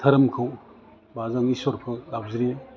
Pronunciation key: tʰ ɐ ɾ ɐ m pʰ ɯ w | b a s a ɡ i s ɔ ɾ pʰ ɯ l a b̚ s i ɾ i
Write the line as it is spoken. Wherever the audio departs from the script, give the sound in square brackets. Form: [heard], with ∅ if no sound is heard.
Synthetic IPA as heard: tʰ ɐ ɾ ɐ m [kʰ] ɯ w | b a [z] a [ŋ] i s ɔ ɾ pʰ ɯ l a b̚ [z] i ɾ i